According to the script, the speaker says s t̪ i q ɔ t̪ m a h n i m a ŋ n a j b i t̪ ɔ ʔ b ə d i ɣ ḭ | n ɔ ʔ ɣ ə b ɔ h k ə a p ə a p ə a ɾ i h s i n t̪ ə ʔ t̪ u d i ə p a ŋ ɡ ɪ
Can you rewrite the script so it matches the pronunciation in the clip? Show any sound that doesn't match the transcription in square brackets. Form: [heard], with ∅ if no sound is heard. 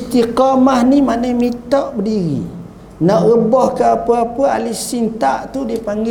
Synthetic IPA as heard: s t̪ i q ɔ [∅] m a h n i m a [∅] n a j [m] i t̪ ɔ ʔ b ə d i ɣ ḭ | n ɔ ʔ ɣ ə b ɔ h k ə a p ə a p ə a [l] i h s i n t̪ [a] ʔ t̪ u d i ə p a ŋ ɡ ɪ